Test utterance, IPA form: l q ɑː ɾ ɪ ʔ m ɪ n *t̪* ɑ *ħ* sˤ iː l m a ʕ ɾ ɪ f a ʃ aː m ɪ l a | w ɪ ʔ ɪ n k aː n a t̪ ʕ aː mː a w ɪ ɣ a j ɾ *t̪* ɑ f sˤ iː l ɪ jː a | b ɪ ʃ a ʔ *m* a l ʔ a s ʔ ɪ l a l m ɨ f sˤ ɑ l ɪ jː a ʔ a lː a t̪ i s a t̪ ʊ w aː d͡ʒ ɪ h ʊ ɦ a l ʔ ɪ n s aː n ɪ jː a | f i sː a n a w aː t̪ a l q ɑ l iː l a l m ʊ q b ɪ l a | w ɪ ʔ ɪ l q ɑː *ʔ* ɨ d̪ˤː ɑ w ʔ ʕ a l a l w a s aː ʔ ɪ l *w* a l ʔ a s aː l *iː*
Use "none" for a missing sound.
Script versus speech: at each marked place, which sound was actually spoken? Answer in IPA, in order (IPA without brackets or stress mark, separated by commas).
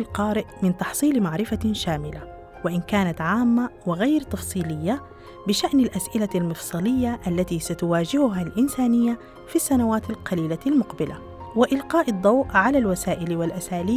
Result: t̪, ħ, t̪, n, ʔ, w, iː